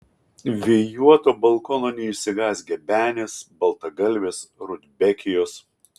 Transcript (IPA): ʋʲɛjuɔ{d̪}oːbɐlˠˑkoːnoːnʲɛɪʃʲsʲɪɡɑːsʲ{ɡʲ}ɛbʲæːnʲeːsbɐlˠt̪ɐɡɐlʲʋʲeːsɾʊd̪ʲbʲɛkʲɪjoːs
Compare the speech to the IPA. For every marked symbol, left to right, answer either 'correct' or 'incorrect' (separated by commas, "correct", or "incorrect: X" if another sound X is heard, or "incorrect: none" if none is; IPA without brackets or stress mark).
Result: incorrect: t̪, correct